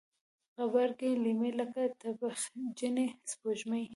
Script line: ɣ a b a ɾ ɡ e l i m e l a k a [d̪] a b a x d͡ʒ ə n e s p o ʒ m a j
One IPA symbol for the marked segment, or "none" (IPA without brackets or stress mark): t̪